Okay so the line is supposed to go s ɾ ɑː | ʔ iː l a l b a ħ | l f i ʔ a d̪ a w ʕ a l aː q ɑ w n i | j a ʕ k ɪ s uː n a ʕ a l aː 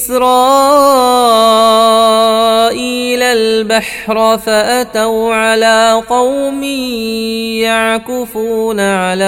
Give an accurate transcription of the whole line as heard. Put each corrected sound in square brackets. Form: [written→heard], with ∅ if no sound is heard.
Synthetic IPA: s ɾ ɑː | ʔ iː l a l b a ħ | [l→ɾ] f [i→a] ʔ a [d̪→t̪] a w ʕ a l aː q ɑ w [n→m] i | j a ʕ k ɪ [s→f] uː n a ʕ a l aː